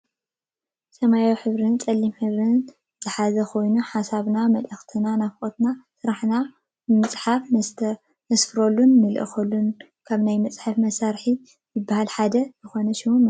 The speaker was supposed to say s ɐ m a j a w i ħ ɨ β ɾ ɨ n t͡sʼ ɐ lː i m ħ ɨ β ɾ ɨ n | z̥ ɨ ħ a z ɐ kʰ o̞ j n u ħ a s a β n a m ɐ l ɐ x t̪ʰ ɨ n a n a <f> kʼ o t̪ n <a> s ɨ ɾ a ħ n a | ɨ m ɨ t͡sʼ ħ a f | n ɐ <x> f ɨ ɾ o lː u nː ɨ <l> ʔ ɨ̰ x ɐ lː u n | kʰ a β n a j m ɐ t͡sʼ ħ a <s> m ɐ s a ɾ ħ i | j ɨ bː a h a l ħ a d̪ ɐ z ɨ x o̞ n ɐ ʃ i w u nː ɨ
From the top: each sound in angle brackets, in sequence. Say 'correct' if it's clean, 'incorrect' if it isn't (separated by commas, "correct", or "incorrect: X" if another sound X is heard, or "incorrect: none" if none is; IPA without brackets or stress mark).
correct, correct, incorrect: s, correct, incorrect: f